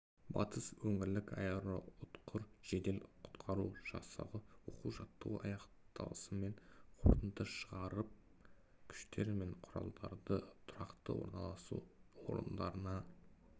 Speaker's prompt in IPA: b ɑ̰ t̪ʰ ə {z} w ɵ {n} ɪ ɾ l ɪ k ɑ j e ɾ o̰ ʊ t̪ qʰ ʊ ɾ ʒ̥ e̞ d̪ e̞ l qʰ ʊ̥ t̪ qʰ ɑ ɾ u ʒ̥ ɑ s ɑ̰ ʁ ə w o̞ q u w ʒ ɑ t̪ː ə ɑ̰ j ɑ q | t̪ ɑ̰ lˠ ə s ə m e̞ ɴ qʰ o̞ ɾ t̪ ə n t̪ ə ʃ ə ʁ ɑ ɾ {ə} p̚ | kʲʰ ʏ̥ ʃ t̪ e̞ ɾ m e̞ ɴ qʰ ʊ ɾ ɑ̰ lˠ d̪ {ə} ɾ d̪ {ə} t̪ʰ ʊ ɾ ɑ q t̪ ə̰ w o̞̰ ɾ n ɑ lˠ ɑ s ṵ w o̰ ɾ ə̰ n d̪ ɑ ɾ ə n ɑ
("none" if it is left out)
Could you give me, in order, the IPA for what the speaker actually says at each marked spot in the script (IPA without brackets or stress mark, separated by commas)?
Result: s, ŋ, ə, ɑ, ə